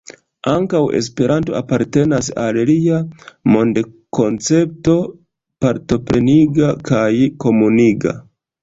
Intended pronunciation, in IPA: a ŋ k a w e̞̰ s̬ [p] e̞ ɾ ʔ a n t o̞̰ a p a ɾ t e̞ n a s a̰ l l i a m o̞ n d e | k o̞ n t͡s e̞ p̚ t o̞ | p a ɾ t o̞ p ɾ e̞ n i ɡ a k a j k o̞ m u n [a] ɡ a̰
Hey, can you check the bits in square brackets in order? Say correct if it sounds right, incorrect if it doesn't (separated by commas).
correct, incorrect